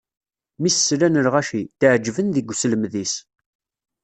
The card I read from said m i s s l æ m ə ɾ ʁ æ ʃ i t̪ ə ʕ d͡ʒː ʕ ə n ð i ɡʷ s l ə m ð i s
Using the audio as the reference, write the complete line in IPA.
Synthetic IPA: m i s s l æ n ə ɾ ʁ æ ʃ i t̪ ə ʕ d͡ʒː v ə n ð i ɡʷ s l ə m ð i s